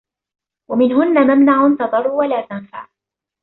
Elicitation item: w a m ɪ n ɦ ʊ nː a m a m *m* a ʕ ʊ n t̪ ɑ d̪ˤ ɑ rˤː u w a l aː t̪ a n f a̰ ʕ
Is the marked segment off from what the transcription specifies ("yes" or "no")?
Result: yes